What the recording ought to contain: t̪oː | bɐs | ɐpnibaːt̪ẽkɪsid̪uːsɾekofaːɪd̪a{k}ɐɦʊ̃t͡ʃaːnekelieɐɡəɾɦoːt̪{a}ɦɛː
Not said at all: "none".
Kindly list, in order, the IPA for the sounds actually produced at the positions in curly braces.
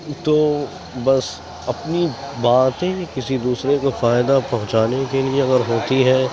p, i

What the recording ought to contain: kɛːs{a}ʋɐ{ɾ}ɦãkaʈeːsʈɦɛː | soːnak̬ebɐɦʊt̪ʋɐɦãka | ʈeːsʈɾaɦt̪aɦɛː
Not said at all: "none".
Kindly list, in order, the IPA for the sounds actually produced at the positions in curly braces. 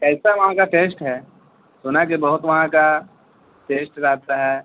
a, none

